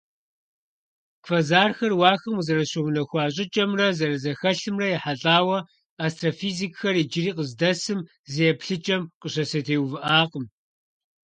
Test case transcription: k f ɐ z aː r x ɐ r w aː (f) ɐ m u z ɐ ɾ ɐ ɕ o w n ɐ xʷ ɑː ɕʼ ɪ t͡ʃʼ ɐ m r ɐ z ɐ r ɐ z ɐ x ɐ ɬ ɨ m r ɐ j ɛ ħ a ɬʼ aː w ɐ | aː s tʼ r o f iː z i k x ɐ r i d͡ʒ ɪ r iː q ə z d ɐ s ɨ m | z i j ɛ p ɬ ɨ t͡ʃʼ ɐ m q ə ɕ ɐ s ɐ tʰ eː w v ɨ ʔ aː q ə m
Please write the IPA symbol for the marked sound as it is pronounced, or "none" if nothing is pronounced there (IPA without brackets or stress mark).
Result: x